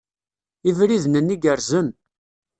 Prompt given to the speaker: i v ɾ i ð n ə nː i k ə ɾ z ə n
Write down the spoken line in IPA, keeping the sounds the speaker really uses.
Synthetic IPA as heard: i v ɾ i ð n ə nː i ɡ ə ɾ z ə n